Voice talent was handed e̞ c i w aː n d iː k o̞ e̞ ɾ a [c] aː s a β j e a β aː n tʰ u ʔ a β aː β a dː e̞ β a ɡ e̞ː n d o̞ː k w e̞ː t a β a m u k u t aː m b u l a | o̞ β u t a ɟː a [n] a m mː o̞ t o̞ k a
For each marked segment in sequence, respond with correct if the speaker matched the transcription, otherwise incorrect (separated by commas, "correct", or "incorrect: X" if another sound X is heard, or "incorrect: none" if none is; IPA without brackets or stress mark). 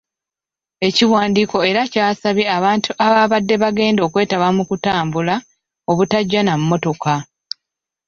correct, correct